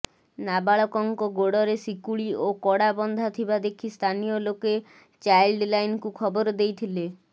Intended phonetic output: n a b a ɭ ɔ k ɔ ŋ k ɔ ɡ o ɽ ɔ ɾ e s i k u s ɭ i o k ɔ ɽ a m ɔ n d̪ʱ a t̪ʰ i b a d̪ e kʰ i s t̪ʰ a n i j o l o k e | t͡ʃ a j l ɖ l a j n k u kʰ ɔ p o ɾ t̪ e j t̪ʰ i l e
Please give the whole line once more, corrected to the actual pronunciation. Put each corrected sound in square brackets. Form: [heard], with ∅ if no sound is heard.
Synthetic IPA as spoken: n a b a ɭ ɔ k ɔ ŋ k ɔ ɡ o ɽ ɔ ɾ e s i k u [∅] ɭ i o k ɔ ɽ a [b] ɔ n d̪ʱ a t̪ʰ i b a d̪ e kʰ i s t̪ʰ a n i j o l o k e | t͡ʃ a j l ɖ l a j n k u kʰ ɔ [b] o ɾ [d̪] e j t̪ʰ i l e

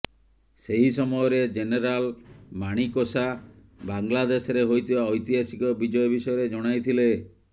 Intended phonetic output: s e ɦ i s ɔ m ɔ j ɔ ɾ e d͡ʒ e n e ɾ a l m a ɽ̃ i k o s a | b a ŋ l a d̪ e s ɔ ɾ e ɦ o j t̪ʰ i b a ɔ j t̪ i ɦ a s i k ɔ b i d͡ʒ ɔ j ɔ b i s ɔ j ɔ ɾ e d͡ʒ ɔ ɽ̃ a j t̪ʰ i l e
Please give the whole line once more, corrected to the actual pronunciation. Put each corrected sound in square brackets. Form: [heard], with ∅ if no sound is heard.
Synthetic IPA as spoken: s e ɦ i s ɔ m ɔ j ɔ ɾ e d͡ʒ e n e ɾ a l m a ɽ̃ i k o s a | b a ŋ l a d̪ e s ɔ ɾ e ɦ o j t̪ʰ i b a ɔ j t̪ i ɦ a s i k ɔ b i d͡ʒ ɔ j ɔ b i s ɔ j ɔ ɾ e d͡ʒ ɔ ɽ̃ a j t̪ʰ i l e

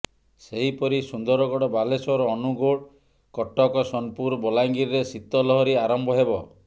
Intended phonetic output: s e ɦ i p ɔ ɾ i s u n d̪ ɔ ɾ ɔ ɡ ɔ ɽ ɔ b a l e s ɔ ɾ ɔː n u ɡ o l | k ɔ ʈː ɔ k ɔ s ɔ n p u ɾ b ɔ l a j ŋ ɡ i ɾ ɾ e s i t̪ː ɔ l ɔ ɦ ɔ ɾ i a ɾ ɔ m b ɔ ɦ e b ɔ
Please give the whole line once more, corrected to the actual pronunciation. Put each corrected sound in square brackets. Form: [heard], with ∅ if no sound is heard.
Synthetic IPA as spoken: s e ɦ i p ɔ ɾ i s u n d̪ ɔ ɾ ɔ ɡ ɔ ɽ ɔ b a l e s ɔ ɾ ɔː n u ɡ o [ɽ] | k ɔ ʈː ɔ k ɔ s ɔ n p u ɾ b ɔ l a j ŋ ɡ i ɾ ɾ e s i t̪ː ɔ l ɔ ɦ ɔ ɾ i a ɾ ɔ m b ɔ ɦ e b ɔ

